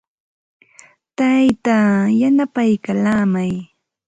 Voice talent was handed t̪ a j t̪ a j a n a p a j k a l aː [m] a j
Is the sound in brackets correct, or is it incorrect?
correct